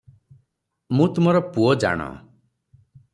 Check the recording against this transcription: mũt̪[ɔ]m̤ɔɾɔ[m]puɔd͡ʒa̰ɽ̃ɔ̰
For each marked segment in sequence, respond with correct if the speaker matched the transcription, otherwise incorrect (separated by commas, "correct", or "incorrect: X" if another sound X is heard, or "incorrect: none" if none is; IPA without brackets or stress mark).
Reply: incorrect: u, incorrect: none